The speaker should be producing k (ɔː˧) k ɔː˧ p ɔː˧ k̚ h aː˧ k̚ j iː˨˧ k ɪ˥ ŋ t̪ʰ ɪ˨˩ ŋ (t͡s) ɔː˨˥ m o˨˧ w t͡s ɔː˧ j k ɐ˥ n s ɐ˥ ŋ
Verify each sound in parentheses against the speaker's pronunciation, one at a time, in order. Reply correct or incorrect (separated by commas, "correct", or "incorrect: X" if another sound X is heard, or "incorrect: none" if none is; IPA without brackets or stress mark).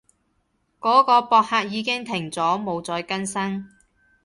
incorrect: ɔː˨˥, correct